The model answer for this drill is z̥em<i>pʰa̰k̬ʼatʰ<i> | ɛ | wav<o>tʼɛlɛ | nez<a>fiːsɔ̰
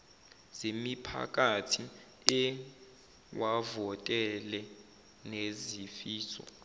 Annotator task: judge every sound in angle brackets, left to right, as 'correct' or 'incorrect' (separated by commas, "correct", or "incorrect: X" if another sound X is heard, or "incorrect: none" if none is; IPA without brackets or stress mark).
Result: correct, correct, incorrect: ɔ, incorrect: i